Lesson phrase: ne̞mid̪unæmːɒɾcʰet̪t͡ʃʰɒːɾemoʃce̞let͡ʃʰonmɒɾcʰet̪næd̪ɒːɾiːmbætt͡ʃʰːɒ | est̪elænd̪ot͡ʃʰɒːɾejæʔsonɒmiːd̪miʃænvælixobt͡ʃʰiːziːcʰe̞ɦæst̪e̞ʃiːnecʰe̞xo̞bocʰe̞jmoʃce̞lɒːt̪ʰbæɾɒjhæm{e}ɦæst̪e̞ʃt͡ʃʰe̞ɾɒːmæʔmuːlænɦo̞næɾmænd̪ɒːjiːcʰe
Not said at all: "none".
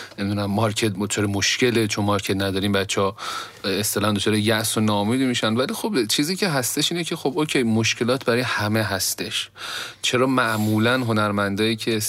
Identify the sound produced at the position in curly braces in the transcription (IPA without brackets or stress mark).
e